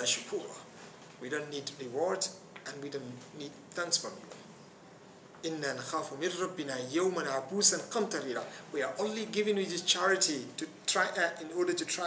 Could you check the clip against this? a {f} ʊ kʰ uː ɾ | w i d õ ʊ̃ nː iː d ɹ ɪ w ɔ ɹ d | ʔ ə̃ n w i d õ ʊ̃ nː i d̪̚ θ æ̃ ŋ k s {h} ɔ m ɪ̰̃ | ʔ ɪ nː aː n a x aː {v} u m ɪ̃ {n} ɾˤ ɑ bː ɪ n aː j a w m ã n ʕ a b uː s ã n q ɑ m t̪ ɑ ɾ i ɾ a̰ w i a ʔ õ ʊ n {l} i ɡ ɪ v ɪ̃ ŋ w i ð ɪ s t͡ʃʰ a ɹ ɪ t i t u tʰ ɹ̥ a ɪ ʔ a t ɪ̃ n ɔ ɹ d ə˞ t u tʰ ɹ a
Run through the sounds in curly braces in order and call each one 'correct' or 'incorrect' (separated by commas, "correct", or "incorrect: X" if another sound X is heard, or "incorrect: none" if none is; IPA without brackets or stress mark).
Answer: incorrect: ʃ, incorrect: f, incorrect: f, correct, correct